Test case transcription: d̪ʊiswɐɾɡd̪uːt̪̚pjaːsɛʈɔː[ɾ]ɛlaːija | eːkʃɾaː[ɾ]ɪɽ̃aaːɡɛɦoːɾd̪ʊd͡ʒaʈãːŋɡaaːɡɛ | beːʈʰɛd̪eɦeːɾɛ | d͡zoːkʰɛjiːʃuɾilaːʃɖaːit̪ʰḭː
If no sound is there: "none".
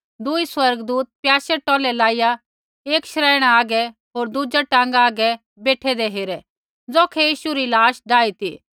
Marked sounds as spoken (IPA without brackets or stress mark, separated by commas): l, none